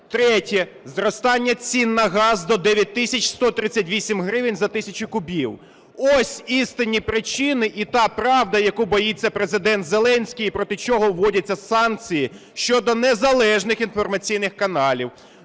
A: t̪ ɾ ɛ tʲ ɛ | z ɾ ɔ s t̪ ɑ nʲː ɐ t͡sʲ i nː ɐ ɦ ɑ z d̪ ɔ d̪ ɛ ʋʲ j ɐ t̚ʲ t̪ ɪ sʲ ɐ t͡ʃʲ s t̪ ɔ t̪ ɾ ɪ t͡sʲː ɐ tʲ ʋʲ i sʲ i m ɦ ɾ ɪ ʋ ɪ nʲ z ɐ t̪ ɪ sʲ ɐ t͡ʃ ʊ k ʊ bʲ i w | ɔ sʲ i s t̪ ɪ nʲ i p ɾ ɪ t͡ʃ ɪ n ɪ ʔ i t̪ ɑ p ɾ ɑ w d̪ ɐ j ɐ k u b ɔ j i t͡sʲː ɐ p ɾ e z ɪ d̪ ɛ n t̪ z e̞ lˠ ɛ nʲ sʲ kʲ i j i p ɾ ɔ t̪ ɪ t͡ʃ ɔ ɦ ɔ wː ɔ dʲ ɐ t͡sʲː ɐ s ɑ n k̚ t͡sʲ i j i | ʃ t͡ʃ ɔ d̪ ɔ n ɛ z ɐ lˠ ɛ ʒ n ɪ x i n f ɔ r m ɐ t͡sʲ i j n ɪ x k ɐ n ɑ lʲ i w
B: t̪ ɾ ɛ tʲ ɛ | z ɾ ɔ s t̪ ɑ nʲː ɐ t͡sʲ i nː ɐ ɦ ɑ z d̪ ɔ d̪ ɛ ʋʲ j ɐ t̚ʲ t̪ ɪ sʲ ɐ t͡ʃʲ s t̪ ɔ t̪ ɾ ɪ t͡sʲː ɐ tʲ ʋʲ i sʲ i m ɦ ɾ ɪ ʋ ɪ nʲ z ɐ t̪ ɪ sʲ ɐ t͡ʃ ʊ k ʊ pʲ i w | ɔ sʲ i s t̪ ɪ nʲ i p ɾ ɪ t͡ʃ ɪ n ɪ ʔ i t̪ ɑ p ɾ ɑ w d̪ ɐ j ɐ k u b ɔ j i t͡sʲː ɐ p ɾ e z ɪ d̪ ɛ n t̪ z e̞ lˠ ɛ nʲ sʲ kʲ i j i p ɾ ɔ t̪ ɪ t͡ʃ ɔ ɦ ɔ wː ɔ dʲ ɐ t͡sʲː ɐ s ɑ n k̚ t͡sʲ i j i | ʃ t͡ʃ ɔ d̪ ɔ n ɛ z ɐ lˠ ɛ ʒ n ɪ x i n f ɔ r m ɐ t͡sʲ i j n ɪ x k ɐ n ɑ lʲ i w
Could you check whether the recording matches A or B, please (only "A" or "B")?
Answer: A